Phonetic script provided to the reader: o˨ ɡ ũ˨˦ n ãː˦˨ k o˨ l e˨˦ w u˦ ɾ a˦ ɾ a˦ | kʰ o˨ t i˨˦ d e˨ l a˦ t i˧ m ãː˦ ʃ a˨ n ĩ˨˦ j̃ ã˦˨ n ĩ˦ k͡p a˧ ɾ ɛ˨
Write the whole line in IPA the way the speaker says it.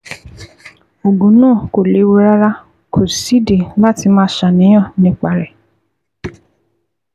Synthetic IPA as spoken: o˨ ɡ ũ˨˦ n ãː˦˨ k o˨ l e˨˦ w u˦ ɾ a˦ ɾ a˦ | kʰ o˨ s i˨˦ d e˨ l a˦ t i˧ m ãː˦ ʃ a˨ n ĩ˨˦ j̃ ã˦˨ n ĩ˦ k͡p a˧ ɾ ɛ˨